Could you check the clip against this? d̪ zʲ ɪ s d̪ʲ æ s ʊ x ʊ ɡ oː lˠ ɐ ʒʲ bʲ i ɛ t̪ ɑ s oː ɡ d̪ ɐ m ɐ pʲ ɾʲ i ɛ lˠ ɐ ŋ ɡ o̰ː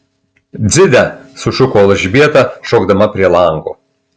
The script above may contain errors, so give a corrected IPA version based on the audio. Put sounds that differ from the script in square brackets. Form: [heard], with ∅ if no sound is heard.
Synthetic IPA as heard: d̪ zʲ ɪ [∅] d̪ʲ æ s ʊ [ʃ] ʊ [k] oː lˠ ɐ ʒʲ bʲ i ɛ t̪ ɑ [ʃ] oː ɡ d̪ ɐ m ɐ pʲ ɾʲ i ɛ lˠ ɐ ŋ ɡ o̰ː